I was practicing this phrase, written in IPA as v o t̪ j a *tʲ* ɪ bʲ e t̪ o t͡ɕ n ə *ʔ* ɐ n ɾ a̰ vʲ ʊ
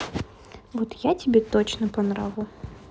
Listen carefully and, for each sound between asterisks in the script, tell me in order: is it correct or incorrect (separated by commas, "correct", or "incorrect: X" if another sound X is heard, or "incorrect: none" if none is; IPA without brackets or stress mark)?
correct, incorrect: p